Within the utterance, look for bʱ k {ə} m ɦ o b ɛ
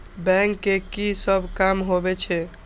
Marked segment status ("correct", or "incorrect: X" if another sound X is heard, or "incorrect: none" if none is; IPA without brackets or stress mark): incorrect: a